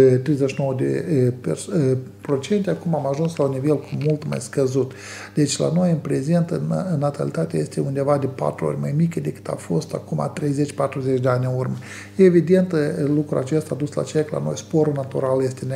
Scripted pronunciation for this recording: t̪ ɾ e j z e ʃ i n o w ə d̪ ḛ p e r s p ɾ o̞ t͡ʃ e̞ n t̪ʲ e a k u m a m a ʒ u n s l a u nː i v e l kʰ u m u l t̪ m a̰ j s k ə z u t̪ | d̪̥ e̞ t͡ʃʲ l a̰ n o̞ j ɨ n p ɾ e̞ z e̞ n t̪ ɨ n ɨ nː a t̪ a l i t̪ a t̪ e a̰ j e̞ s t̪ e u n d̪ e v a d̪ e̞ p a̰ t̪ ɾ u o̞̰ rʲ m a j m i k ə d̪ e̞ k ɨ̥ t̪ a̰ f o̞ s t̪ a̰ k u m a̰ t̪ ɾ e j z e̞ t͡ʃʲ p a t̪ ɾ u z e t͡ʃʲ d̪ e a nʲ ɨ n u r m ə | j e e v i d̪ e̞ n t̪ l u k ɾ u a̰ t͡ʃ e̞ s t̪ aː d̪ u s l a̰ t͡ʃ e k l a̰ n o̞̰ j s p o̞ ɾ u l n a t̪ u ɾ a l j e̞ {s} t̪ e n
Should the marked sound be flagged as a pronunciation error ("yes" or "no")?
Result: no